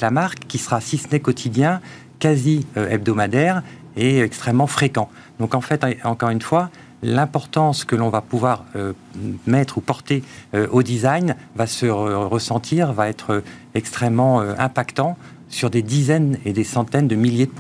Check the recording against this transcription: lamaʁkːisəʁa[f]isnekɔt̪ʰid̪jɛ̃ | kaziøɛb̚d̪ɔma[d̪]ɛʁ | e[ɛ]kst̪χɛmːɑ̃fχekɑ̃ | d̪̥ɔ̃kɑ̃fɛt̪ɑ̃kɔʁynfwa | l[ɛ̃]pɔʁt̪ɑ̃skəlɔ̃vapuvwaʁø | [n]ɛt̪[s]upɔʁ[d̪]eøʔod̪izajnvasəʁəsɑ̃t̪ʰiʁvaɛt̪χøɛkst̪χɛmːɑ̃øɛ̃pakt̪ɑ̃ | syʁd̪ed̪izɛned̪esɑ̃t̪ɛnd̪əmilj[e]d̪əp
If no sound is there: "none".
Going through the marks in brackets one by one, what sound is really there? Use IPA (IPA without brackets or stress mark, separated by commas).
s, d̪, ɛ, ɛ̃, m, χ, t̪, e